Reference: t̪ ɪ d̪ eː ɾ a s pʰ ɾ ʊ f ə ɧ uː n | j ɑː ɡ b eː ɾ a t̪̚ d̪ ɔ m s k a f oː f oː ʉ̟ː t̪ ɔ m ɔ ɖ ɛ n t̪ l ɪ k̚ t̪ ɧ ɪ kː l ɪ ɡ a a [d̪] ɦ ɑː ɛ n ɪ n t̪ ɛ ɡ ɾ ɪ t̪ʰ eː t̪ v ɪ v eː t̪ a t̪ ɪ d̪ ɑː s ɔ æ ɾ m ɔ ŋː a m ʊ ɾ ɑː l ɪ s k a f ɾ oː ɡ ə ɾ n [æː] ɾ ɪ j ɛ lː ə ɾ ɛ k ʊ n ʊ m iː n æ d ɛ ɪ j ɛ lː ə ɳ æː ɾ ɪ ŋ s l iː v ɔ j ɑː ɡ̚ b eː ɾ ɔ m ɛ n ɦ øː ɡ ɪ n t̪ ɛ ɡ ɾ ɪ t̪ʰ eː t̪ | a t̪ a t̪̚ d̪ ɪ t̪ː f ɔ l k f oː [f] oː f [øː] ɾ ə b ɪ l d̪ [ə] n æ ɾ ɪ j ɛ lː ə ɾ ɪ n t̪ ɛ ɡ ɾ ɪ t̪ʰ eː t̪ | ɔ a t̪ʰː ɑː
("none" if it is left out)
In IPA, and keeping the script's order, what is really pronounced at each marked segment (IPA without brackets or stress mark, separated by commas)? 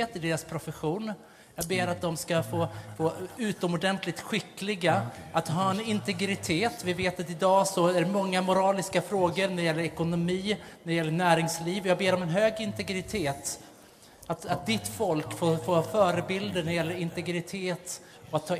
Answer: t̪, æ, f, œː, ə